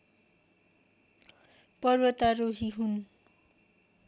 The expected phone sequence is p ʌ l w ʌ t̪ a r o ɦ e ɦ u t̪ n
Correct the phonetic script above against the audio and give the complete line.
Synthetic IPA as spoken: p ʌ r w ʌ t̪ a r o ɦ i ɦ u n